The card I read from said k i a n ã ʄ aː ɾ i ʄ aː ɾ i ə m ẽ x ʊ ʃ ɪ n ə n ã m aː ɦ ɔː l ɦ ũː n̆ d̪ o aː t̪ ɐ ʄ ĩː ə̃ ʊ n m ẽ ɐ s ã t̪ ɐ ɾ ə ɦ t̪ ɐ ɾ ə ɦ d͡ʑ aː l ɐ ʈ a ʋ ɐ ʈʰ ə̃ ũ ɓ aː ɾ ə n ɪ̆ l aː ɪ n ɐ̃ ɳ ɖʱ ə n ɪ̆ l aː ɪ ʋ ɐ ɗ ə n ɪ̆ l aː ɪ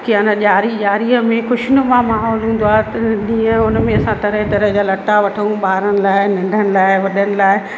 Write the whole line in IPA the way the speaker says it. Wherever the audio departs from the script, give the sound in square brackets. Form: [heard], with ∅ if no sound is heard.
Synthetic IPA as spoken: k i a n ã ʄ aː ɾ i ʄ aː ɾ i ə m ẽ x ʊ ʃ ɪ n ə [m] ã m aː ɦ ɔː l ɦ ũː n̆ d̪ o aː t̪ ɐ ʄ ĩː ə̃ ʊ n m ẽ ɐ s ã t̪ ɐ ɾ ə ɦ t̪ ɐ ɾ ə ɦ d͡ʑ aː l ɐ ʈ a ʋ ɐ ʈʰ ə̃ ũ ɓ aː ɾ ə n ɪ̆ l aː ɪ n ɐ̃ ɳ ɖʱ ə n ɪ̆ l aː ɪ ʋ ɐ ɗ ə n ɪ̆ l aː ɪ